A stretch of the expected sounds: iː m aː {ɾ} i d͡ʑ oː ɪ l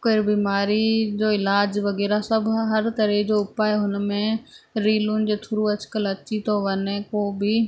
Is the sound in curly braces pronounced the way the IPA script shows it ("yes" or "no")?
yes